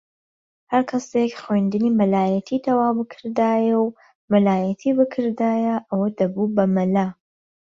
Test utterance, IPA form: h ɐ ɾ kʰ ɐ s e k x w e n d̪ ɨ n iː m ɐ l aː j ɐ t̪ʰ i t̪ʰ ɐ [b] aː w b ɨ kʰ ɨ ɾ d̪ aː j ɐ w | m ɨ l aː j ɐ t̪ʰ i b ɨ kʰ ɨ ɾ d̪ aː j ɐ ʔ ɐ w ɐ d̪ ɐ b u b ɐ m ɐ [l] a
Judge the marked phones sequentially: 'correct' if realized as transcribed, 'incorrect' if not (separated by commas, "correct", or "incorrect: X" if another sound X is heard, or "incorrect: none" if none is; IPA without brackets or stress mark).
incorrect: w, correct